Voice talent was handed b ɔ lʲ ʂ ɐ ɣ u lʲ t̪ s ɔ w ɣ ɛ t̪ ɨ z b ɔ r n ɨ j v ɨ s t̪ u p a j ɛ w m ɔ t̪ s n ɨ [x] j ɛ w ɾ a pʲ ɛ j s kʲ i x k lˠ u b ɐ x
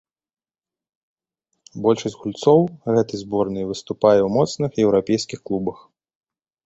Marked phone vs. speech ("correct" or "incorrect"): correct